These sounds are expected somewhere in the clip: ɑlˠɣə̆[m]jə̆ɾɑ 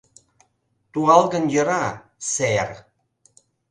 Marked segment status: incorrect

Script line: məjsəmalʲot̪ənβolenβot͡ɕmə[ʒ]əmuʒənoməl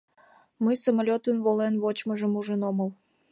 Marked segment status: correct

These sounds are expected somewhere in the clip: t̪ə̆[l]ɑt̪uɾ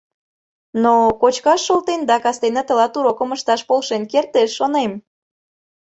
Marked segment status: correct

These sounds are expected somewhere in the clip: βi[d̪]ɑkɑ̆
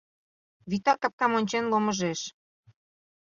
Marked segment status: incorrect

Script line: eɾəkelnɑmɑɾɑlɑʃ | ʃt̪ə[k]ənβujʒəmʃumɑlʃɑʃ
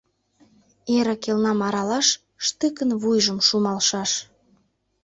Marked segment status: correct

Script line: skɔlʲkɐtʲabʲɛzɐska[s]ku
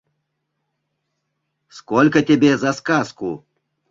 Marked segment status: correct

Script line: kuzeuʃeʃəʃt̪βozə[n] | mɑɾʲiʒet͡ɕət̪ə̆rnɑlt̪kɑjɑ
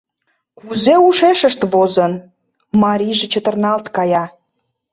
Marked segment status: correct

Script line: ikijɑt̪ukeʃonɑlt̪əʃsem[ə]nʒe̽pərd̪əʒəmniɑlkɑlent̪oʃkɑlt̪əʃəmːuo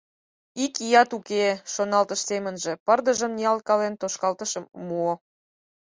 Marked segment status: correct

